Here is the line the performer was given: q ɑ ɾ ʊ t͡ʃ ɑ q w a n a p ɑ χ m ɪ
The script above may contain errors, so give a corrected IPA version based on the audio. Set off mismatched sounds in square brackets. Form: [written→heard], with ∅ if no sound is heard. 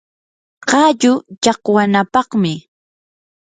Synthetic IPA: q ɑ [ɾ→ʎ] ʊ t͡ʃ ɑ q w a n a p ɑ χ m ɪ